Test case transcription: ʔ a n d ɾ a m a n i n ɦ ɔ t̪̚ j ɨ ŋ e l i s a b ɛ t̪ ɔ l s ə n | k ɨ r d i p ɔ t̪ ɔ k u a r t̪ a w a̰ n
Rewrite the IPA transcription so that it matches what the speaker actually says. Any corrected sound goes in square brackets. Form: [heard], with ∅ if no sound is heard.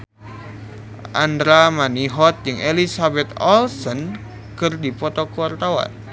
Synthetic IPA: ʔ a n d ɾ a m a n i [∅] ɦ ɔ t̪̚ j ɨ ŋ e l i s a b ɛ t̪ ɔ l s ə n | k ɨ r d i p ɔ t̪ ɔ k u a r t̪ a w a̰ n